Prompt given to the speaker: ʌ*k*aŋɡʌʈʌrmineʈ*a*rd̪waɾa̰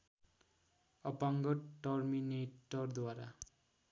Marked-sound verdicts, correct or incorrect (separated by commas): incorrect, incorrect